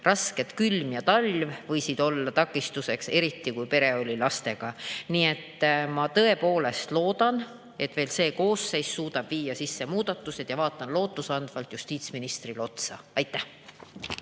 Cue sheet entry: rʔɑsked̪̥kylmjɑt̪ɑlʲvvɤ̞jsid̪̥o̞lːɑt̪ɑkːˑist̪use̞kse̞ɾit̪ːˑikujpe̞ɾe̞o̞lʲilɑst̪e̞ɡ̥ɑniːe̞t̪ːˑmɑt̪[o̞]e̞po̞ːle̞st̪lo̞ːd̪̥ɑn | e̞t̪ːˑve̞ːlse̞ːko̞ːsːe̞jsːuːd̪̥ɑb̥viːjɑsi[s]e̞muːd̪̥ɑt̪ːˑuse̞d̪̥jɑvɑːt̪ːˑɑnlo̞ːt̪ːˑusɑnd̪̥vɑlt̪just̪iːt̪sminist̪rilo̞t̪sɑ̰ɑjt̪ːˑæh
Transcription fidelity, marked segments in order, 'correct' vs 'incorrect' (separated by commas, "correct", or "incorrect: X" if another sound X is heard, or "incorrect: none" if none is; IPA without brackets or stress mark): incorrect: ɤ̞, incorrect: sː